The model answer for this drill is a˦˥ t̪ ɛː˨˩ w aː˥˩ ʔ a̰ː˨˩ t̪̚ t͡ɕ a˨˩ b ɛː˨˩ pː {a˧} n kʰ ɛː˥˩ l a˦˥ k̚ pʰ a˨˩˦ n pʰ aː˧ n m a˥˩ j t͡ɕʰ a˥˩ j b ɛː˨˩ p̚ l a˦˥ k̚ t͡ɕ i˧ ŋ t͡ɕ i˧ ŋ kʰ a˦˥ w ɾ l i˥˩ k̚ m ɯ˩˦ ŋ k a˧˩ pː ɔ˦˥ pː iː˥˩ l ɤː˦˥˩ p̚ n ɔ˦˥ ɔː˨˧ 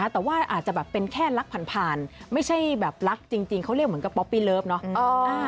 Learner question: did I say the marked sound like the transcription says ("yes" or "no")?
no